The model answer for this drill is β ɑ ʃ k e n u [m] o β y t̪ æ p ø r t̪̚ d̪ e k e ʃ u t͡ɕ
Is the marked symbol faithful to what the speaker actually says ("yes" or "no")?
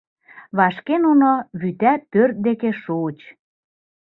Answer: no